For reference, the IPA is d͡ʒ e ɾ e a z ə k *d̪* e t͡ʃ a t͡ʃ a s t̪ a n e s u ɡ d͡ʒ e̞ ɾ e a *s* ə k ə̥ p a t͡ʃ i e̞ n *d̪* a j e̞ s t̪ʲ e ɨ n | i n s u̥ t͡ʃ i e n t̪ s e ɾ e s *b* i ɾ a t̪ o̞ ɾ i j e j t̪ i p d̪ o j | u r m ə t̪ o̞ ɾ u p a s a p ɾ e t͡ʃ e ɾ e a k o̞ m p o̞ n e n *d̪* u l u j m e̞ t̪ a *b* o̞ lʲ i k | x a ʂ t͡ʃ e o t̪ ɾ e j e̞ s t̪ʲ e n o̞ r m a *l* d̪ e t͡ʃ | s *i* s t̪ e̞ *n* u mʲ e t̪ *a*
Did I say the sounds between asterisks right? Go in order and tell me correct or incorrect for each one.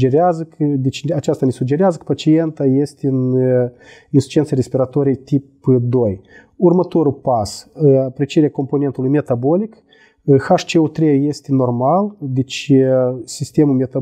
correct, incorrect: z, incorrect: t̪, incorrect: p, incorrect: t̪, correct, correct, correct, incorrect: m, correct

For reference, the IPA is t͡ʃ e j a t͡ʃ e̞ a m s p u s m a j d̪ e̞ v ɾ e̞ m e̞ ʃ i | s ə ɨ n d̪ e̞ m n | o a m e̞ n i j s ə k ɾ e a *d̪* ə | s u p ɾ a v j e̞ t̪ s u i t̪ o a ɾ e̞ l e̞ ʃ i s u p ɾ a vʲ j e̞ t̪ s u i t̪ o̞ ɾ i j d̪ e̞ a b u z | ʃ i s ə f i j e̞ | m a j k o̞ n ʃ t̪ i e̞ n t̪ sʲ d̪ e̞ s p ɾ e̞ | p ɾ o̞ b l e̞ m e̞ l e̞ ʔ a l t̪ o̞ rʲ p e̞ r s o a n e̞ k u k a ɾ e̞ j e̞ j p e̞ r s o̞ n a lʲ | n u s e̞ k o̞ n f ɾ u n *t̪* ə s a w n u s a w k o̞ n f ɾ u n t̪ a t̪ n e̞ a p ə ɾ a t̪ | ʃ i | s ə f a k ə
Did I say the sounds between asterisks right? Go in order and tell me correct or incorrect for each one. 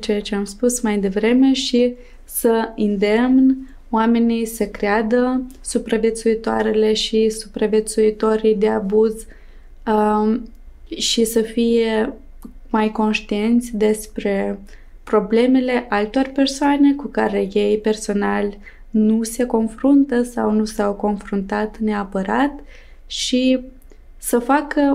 correct, correct

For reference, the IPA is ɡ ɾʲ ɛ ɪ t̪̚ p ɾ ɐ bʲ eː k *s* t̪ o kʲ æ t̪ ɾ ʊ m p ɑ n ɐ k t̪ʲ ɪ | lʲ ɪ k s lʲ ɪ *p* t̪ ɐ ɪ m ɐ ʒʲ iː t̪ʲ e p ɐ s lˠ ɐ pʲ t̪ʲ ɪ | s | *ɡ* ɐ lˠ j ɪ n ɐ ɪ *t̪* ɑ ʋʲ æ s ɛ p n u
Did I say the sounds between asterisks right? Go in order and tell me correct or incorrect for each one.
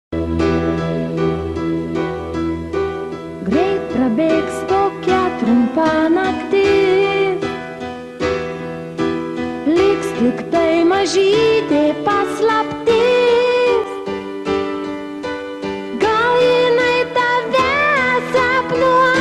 correct, incorrect: k, correct, correct

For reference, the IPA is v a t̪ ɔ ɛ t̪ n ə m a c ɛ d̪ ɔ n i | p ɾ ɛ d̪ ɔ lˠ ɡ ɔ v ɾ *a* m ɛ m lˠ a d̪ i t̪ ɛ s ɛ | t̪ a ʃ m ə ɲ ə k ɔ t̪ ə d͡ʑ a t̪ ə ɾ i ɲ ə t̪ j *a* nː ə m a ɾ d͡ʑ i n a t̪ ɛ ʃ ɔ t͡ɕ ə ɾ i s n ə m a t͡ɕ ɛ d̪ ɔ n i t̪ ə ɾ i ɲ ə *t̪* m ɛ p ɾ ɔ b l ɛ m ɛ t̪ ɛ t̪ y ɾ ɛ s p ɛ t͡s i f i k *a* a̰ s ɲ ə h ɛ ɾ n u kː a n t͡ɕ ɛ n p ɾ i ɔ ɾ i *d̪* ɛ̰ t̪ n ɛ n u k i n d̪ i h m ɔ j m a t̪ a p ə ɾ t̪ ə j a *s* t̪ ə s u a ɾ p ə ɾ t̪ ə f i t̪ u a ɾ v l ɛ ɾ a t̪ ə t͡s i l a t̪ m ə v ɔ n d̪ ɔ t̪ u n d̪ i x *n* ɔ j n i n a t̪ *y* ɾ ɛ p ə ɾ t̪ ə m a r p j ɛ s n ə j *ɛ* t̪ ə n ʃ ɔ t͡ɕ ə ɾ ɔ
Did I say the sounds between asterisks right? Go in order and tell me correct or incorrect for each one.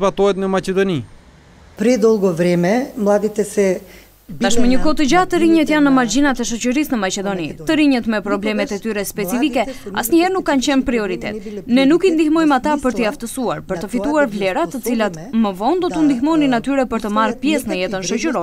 incorrect: ɛ, correct, correct, incorrect: ɛ, incorrect: t̪, incorrect: f, incorrect: m, correct, correct

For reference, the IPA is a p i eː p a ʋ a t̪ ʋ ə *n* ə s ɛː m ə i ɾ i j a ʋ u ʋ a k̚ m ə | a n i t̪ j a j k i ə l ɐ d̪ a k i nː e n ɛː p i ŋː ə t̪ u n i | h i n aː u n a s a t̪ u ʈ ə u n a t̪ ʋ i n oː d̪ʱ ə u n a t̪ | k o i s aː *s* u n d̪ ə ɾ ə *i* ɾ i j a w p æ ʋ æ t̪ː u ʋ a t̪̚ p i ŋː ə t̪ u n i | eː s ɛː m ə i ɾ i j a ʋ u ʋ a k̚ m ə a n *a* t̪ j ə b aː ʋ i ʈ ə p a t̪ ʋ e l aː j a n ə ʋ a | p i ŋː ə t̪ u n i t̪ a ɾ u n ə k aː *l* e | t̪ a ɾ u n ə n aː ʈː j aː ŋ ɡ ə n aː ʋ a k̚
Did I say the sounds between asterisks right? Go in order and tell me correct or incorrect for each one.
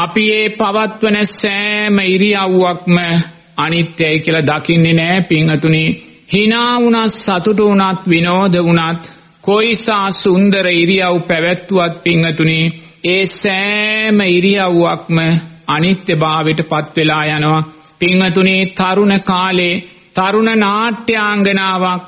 correct, correct, correct, incorrect: i, correct

